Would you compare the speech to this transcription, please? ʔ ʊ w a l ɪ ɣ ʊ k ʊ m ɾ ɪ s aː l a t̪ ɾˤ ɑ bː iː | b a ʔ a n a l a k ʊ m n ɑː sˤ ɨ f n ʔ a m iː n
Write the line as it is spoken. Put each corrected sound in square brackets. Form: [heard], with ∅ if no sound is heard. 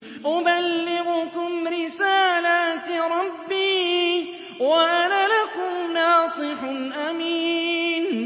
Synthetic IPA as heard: ʔ ʊ [b] a [lː] ɪ ɣ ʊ k ʊ m ɾ ɪ s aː l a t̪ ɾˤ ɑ bː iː | [w] a ʔ a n a l a k ʊ m n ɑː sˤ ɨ [ħ] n ʔ a m iː n

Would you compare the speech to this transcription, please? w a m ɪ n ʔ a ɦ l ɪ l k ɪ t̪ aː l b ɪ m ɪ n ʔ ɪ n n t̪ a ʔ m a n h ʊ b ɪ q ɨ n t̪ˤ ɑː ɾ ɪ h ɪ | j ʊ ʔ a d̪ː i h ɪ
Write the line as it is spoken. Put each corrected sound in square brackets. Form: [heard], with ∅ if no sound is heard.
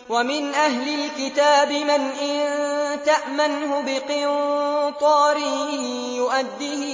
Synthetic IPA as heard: w a m ɪ n ʔ a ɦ l ɪ l k ɪ t̪ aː [∅] b ɪ m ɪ n ʔ ɪ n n t̪ a ʔ m a n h ʊ b ɪ q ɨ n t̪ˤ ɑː ɾ ɪ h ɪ | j ʊ ʔ a d̪ː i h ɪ

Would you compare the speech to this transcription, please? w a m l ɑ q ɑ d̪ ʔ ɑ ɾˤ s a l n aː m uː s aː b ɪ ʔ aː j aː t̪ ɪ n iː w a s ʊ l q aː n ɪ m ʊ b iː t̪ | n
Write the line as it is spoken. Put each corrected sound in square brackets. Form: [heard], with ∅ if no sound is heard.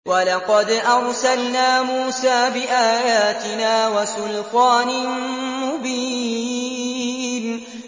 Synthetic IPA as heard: w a [∅] l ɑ q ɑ d̪ ʔ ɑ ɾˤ s a l n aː m uː s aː b ɪ ʔ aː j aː t̪ ɪ n [aː] w a s ʊ l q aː n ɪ m ʊ b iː [∅] | n

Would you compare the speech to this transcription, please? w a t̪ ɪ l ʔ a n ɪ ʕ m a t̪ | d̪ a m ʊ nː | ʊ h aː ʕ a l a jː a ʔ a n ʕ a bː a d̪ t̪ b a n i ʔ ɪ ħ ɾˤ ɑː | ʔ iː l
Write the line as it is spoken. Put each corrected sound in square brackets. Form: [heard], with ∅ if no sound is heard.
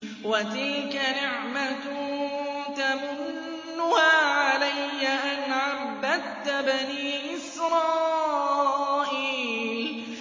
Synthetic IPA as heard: w a t̪ ɪ l [k] a n ɪ ʕ m a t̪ | [t̪] a m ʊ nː | ʊ h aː ʕ a l a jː a ʔ a n ʕ a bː a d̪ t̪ b a n [iː] ʔ ɪ [s] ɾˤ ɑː | ʔ iː l

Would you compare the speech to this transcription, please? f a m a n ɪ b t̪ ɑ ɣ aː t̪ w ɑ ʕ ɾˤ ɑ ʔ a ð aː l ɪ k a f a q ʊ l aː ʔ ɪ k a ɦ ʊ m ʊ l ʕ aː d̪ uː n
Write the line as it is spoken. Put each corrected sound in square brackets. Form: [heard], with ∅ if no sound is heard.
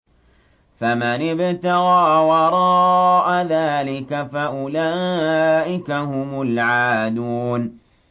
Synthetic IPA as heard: f a m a n ɪ b t̪ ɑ ɣ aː [∅] w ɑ [∅] ɾˤ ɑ ʔ a ð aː l ɪ k a f a [ʔ] ʊ l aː ʔ ɪ k a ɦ ʊ m ʊ l ʕ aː d̪ uː n

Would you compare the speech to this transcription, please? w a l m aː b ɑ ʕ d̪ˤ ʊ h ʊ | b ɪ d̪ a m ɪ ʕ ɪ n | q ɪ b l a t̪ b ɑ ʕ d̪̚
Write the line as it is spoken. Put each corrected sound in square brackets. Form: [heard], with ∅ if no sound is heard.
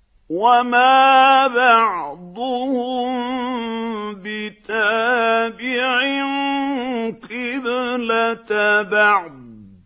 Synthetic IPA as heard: w a [∅] m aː b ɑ ʕ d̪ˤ ʊ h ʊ | b ɪ [t̪] a [b] ɪ ʕ ɪ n | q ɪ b l a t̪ b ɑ ʕ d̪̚

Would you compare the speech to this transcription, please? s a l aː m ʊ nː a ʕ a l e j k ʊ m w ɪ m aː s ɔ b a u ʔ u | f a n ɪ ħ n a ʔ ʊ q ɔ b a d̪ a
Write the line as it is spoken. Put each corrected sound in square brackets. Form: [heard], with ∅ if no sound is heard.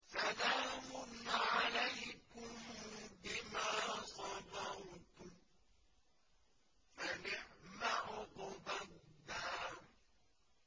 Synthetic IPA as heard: s a l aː m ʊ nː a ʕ a l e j k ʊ m [b] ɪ m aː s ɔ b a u [t] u | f a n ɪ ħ [m] a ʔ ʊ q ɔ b a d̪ a

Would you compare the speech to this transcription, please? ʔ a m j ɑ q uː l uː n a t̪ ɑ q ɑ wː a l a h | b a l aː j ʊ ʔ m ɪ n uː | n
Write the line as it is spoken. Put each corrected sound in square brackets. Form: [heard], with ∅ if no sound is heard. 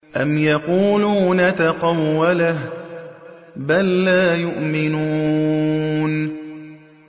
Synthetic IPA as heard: ʔ a m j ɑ q uː l uː n a t̪ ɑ q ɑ wː a l a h | b a [lː] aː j ʊ ʔ m ɪ n uː | n

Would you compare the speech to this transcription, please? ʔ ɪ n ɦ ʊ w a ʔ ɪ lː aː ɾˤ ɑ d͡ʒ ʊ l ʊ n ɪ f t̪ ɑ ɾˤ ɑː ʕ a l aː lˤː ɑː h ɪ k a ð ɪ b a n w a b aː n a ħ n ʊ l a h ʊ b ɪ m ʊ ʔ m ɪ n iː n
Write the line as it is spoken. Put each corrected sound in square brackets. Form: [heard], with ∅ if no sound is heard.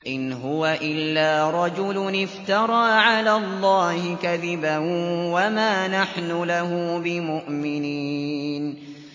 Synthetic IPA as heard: ʔ ɪ n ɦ ʊ w a ʔ ɪ lː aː ɾˤ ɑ d͡ʒ ʊ l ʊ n ɪ f t̪ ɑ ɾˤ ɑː ʕ a l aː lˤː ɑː h ɪ k a ð ɪ b a n w a [m] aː n a ħ n ʊ l a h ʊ b ɪ m ʊ ʔ m ɪ n iː n

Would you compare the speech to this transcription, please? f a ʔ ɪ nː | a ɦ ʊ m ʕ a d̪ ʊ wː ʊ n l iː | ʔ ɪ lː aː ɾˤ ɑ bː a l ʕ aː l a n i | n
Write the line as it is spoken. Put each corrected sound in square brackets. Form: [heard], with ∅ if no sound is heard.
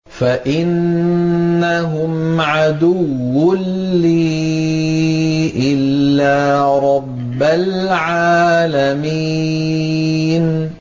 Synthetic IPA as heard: f a ʔ ɪ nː | a ɦ ʊ m ʕ a d̪ ʊ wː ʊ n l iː | ʔ ɪ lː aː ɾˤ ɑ bː a l ʕ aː l a [m] i | n

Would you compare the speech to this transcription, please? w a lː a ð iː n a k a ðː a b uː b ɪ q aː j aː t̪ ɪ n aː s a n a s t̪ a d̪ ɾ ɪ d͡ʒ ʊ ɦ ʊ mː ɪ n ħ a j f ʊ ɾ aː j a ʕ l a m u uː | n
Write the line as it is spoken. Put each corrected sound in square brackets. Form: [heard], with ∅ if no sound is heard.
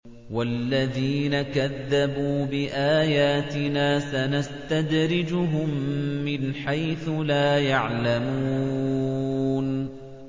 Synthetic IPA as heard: w a lː a ð iː n a k a ðː a b uː b ɪ [ʔ] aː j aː t̪ ɪ n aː s a n a s t̪ a d̪ ɾ ɪ d͡ʒ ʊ ɦ ʊ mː ɪ n ħ a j [θ] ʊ [l] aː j a ʕ l a m u uː | n

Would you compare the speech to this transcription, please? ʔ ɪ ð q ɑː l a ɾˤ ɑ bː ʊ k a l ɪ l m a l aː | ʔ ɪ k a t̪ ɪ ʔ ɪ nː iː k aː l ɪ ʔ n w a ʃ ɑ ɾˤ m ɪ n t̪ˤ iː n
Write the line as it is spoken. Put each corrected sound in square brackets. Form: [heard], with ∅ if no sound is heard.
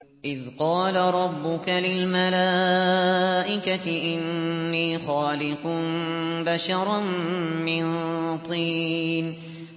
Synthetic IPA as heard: ʔ ɪ ð q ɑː l a ɾˤ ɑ bː ʊ k a l ɪ l m a l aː | ʔ ɪ k a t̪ ɪ ʔ ɪ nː iː [x] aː l ɪ [q] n [b] a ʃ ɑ ɾˤ m ɪ n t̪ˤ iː n

